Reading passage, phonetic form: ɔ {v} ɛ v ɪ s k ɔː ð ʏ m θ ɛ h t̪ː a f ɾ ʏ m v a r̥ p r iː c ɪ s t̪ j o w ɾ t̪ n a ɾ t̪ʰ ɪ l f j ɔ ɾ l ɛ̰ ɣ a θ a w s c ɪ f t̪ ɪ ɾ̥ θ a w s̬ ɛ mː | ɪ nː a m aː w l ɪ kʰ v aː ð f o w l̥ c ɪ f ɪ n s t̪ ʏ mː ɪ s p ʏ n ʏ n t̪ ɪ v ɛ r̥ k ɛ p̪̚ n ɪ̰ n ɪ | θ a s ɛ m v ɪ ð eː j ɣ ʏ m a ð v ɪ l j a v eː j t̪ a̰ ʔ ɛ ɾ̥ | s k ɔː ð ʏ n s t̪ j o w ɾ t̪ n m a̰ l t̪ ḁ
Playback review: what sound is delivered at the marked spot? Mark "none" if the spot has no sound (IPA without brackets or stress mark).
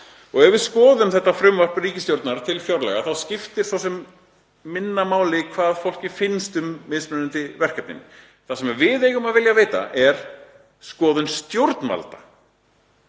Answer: ɣ